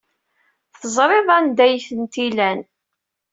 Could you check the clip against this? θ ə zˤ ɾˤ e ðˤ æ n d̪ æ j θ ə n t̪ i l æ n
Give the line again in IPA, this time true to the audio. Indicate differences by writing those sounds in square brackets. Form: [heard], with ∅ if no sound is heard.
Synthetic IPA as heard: θ ə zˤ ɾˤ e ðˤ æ n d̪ æ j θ ə n t̪ i l æ n